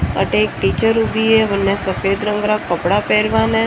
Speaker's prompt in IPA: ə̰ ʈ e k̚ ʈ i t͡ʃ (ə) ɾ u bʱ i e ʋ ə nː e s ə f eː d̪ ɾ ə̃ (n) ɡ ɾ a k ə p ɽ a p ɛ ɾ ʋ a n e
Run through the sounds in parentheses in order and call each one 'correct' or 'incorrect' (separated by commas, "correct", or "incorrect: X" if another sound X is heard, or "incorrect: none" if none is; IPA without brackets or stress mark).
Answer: correct, incorrect: ŋ